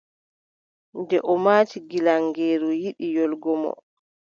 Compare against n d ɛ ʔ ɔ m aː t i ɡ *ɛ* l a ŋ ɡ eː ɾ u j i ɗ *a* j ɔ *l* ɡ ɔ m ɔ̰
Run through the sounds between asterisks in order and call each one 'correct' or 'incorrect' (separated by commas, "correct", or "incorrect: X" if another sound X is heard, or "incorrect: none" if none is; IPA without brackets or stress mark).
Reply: incorrect: i, incorrect: i, correct